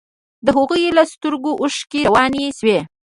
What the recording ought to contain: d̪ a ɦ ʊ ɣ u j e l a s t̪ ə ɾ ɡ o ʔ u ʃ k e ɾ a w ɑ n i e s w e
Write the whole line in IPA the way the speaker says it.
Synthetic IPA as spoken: d̪ ə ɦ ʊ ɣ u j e l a s t̪ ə ɾ ɡ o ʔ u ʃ k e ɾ a w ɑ n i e s w e